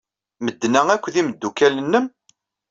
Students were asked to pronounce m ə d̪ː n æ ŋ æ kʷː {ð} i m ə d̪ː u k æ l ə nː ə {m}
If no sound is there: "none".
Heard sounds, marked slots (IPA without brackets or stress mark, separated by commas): ð, m